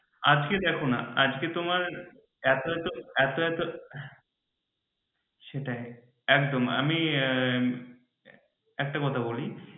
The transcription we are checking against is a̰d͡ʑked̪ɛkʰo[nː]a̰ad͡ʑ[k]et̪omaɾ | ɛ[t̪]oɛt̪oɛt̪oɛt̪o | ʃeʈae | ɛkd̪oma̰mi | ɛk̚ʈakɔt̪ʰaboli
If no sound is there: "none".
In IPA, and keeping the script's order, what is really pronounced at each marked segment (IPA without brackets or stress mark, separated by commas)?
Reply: n, k, t̪